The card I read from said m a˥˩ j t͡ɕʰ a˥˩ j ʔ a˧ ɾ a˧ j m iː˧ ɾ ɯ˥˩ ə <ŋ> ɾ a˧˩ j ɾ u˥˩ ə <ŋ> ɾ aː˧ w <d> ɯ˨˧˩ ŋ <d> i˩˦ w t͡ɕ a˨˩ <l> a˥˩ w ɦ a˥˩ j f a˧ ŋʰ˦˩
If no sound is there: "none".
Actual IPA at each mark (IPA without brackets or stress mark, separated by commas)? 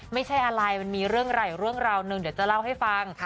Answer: ŋ, ŋ, n, d, l